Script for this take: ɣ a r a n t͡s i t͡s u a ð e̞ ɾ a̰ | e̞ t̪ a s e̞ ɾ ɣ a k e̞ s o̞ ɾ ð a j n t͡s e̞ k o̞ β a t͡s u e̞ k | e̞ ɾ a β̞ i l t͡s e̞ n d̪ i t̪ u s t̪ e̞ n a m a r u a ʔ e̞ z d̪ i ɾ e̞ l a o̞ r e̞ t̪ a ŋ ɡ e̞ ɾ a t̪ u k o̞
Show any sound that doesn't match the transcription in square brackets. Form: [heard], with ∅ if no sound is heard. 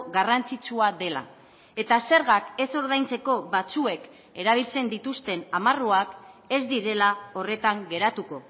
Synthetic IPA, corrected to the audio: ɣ a r a n t͡s i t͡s u a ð e̞ [l] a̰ | e̞ t̪ a s e̞ ɾ ɣ a k e̞ s o̞ ɾ ð a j n t͡s e̞ k o̞ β a t͡s u e̞ k | e̞ ɾ a β̞ i l t͡s e̞ n d̪ i t̪ u s t̪ e̞ n a m a r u a [k] e̞ z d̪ i ɾ e̞ l a o̞ r e̞ t̪ a ŋ ɡ e̞ ɾ a t̪ u k o̞